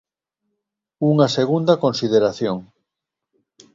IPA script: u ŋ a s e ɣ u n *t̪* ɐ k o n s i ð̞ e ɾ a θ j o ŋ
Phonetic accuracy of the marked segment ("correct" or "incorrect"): incorrect